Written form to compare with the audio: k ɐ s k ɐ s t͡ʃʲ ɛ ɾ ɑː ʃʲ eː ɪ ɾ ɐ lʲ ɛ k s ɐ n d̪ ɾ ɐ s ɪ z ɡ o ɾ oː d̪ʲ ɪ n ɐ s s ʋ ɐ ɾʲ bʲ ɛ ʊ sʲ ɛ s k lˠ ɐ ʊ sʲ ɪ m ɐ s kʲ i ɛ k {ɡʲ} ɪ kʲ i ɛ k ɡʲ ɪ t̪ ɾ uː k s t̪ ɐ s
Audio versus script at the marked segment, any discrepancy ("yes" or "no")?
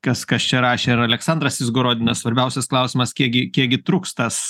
no